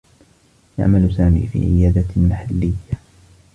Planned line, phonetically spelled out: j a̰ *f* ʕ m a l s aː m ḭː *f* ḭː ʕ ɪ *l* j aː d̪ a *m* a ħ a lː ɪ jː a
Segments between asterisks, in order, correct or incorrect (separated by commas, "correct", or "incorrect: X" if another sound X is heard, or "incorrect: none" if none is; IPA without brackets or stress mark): incorrect: none, correct, incorrect: none, correct